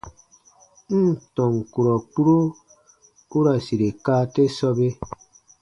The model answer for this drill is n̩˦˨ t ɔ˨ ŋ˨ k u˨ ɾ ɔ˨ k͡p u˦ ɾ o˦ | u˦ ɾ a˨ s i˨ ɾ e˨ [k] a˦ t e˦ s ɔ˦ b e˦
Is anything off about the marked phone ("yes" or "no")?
no